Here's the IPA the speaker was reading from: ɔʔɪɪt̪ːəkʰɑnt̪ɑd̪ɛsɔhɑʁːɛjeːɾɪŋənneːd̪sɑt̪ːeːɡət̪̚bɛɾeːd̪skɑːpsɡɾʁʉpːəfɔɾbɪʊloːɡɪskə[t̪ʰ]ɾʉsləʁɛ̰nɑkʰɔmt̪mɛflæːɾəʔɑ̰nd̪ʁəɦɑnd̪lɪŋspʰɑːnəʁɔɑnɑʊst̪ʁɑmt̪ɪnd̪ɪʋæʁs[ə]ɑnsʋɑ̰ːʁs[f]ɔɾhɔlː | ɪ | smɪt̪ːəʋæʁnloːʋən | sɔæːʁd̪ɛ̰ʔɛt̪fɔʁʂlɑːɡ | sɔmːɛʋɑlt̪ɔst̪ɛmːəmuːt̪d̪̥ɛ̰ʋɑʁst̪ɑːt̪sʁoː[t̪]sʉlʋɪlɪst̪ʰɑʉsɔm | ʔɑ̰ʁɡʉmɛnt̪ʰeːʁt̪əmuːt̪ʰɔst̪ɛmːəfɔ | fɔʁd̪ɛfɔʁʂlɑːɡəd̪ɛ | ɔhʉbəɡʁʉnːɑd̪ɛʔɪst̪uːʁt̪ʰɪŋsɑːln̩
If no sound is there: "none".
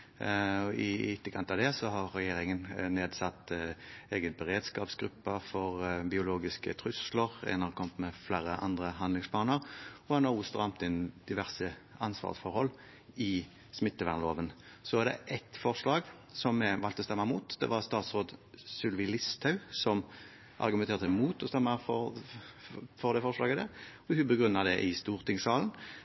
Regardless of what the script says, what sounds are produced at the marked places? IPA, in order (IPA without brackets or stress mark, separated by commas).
t̪ʰ, ə, f, d̪